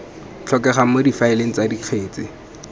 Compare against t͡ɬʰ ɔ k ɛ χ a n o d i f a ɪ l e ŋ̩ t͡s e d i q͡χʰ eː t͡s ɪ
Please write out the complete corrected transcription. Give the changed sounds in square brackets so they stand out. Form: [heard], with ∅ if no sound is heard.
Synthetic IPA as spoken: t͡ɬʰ ɔ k ɛ χ a [m] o d i f a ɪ l e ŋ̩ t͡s [a] d i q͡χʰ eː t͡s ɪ